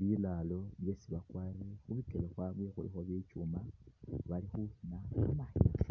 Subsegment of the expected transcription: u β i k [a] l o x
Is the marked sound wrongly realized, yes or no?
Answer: yes